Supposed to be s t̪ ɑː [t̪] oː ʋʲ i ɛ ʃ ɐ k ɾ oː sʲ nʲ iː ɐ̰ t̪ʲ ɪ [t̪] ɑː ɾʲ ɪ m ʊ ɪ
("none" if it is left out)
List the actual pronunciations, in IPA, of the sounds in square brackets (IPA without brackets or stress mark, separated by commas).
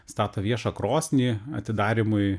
t̪, d̪